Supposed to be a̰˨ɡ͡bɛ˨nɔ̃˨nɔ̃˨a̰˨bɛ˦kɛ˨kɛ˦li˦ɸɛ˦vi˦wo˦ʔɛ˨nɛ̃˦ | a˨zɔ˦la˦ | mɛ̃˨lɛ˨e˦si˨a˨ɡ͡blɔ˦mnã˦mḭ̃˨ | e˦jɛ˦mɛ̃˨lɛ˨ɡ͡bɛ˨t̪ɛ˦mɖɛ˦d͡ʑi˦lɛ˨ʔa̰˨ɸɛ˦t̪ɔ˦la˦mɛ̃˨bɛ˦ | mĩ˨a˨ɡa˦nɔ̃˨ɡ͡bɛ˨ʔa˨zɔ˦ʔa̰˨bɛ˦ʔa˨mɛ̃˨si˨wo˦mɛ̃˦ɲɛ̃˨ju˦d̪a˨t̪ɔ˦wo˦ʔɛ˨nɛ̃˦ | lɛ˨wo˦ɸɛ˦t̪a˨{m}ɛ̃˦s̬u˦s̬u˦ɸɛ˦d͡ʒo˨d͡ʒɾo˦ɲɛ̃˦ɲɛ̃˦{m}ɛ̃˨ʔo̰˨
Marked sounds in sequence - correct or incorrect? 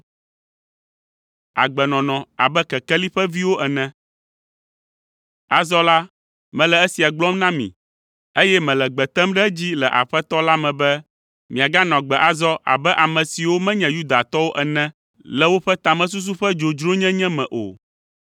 correct, correct

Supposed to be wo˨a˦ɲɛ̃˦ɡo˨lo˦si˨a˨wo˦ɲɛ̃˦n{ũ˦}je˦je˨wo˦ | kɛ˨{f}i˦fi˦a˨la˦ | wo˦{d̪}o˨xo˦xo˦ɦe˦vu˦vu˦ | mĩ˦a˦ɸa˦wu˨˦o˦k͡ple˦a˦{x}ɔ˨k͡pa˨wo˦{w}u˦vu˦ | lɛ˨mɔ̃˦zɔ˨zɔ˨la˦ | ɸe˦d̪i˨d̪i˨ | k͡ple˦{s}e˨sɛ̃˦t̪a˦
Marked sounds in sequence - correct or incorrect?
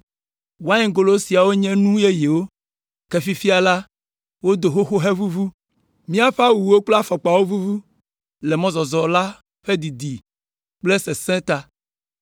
correct, correct, correct, incorrect, incorrect, correct

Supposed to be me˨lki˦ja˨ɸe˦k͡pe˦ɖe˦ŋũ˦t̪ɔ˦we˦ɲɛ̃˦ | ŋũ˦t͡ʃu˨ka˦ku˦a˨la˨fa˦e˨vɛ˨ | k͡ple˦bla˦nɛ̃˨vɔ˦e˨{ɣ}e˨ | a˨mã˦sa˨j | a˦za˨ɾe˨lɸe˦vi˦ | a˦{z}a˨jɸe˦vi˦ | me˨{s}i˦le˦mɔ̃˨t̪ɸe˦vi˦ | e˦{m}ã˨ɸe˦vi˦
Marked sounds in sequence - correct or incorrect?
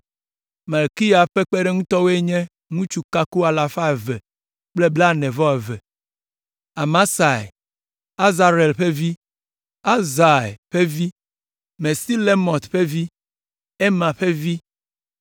incorrect, correct, correct, correct

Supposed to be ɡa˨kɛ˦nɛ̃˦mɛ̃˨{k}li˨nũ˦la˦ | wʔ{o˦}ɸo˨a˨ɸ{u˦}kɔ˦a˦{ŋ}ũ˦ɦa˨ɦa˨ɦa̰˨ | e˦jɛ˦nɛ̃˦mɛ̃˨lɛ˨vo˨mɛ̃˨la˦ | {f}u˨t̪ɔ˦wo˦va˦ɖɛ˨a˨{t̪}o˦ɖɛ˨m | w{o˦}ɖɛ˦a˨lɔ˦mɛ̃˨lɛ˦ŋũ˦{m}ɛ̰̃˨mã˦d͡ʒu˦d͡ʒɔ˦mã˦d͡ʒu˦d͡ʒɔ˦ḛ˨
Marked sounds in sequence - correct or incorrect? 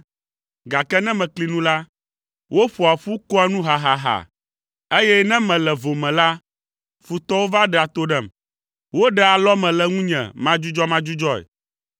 correct, correct, correct, incorrect, correct, correct, correct, incorrect

